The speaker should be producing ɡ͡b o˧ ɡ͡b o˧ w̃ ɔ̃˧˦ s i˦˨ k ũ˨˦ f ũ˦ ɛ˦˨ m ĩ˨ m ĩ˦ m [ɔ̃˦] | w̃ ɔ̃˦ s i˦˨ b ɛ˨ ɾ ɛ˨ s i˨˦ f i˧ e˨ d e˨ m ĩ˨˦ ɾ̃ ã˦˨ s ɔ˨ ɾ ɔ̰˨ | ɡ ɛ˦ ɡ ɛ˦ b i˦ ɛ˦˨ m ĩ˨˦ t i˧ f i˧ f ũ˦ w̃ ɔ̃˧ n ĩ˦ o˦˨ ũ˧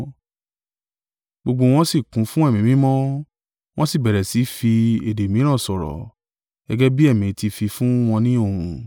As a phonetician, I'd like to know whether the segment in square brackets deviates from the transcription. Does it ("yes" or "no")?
no